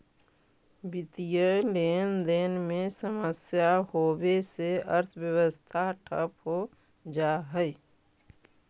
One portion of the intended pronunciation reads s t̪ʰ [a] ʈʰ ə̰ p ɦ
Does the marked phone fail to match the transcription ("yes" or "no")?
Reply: no